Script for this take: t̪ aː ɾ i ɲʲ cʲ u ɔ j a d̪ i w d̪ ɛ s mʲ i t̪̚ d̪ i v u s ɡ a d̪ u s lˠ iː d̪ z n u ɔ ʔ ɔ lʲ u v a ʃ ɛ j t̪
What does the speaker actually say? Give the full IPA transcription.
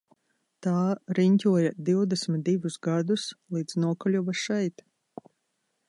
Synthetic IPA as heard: t̪ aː ɾ i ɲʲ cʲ u ɔ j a d̪ i w d̪ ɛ s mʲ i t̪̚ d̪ i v u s ɡ a d̪ u s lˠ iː d̪ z n u ɔ k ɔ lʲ u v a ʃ ɛ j t̪